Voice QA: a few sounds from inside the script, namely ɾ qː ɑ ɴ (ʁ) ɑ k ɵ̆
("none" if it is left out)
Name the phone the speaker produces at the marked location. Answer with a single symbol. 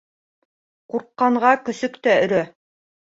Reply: ʁ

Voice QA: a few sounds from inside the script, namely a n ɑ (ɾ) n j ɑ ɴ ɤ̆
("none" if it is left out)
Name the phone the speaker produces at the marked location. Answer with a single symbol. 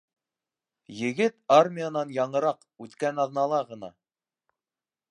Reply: none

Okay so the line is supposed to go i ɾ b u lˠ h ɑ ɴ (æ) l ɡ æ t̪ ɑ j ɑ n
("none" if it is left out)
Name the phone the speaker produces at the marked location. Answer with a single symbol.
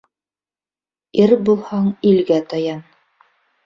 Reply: i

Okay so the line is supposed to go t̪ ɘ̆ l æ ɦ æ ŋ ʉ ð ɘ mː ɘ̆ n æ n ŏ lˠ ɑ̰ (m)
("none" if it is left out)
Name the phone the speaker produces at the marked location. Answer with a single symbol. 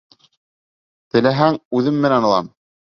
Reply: m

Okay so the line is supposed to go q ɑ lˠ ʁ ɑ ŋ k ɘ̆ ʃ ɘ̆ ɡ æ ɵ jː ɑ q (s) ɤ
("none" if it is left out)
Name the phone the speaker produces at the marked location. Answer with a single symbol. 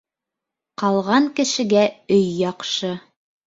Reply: ʃ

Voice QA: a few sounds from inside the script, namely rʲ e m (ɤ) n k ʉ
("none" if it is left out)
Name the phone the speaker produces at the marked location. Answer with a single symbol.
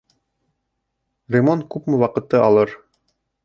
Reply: o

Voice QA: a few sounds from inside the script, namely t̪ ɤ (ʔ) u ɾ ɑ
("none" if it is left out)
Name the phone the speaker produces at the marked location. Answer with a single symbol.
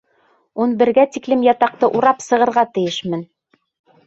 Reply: ʔ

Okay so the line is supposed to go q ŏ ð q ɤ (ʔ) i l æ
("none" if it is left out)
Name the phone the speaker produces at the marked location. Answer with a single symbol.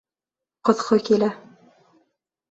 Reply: k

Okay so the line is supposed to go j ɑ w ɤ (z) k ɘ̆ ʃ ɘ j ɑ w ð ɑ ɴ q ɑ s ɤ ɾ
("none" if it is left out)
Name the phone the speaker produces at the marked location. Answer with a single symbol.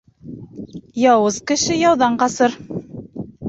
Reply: z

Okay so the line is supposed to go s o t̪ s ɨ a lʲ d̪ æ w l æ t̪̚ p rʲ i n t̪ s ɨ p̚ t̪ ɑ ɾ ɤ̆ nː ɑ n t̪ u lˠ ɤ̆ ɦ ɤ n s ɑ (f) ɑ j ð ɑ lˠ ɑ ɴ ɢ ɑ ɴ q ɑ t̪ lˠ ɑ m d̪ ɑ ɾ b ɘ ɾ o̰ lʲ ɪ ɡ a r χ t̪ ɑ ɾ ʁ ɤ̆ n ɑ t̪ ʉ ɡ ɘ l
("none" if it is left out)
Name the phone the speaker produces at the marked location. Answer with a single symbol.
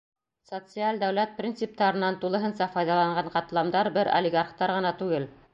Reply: f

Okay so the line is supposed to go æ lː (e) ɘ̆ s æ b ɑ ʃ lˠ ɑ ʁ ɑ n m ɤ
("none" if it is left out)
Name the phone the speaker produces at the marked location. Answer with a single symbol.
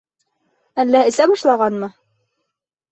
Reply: æ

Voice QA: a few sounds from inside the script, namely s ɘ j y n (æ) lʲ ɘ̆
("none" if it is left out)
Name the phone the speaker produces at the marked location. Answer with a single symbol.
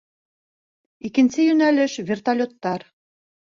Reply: æ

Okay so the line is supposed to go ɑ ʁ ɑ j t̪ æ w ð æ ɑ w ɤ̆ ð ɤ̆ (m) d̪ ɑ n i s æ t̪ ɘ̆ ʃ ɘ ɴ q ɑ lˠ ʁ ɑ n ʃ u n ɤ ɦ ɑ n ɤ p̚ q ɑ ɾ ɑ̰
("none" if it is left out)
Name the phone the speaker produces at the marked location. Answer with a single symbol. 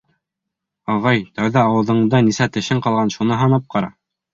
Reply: ɴ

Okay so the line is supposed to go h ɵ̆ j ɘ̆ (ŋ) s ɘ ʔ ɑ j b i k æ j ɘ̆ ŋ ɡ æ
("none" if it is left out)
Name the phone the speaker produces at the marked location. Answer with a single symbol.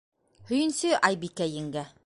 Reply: n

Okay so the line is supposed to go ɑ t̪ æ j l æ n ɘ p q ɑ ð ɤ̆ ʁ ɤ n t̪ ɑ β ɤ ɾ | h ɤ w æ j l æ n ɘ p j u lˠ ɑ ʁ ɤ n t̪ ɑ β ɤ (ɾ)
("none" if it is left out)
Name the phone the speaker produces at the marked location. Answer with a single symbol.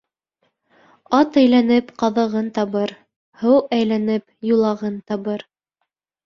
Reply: ɾ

